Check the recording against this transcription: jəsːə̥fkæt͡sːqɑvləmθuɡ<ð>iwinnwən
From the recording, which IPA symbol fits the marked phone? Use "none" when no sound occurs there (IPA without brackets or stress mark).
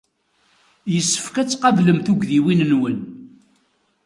ð